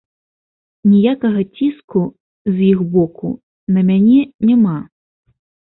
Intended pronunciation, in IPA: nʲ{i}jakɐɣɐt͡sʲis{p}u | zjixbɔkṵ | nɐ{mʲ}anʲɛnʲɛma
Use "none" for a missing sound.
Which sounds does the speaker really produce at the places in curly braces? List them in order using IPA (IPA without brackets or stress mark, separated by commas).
i, k, mʲ